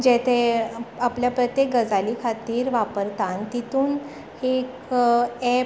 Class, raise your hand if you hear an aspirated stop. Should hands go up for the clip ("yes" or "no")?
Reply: yes